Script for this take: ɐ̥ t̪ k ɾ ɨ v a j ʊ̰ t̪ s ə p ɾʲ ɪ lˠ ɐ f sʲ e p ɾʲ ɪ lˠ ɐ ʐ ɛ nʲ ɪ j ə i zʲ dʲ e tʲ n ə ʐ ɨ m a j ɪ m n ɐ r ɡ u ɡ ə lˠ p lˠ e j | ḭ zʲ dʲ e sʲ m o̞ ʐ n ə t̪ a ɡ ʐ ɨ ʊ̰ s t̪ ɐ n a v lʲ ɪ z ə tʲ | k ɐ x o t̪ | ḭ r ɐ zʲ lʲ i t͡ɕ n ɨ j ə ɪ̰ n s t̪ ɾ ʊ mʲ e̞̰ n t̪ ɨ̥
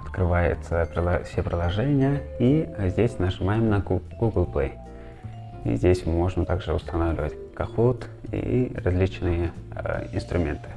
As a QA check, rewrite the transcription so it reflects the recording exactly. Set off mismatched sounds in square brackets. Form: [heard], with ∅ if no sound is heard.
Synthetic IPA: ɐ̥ t̪ k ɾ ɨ v a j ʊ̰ t̪ s ə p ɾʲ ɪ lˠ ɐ f sʲ e p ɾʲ ɪ lˠ ɐ ʐ ɛ nʲ ɪ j ə i zʲ dʲ e [sʲ] n ə ʐ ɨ m a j ɪ m n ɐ [∅] ɡ u ɡ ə lˠ p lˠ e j | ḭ zʲ dʲ e sʲ m o̞ ʐ n ə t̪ a ɡ ʐ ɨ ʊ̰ s t̪ ɐ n a v lʲ ɪ [v] ə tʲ | k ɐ x o t̪ | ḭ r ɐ zʲ lʲ i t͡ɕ n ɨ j ə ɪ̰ n s t̪ ɾ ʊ mʲ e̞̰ n t̪ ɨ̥